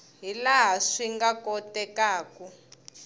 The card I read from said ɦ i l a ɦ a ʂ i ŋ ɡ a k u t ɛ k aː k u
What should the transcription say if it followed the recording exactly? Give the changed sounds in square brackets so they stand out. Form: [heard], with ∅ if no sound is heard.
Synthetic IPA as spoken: ɦ i l a ɦ a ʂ i ŋ ɡ a k [ɔ] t ɛ k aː k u